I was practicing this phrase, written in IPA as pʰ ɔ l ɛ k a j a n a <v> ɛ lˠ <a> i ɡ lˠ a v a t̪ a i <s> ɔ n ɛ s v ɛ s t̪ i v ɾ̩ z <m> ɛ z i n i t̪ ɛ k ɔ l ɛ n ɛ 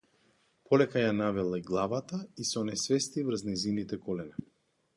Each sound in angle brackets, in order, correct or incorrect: correct, correct, correct, incorrect

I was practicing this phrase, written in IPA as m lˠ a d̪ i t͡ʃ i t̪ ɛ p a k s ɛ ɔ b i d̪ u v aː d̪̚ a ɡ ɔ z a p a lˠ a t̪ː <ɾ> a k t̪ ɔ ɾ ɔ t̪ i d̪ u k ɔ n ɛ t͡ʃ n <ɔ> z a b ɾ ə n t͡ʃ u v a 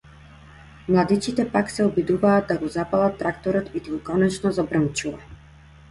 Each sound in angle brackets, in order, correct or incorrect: correct, correct

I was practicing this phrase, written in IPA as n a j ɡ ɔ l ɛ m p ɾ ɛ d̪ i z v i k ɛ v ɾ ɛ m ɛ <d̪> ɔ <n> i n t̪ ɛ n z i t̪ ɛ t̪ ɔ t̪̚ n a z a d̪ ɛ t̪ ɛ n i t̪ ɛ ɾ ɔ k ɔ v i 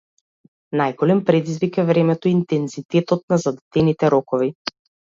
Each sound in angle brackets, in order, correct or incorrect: incorrect, incorrect

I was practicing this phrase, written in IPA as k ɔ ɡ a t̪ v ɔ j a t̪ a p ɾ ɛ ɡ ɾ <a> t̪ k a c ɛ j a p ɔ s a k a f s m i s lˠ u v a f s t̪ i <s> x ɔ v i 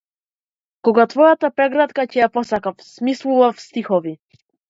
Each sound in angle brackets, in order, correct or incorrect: correct, incorrect

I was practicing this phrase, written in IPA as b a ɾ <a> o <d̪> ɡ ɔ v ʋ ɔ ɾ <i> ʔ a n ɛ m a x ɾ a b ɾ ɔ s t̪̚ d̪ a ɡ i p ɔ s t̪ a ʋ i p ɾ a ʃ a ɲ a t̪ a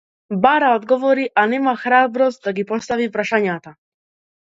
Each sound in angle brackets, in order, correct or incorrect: correct, correct, correct

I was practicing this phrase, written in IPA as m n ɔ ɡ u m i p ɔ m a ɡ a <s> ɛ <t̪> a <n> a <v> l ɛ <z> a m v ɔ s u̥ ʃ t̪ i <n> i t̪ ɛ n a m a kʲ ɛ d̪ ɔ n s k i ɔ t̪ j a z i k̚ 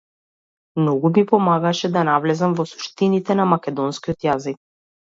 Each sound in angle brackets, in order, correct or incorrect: incorrect, incorrect, correct, correct, correct, correct

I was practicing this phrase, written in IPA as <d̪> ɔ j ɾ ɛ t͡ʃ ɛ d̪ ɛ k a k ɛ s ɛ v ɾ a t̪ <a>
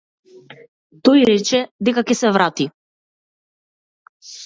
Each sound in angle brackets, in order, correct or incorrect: incorrect, incorrect

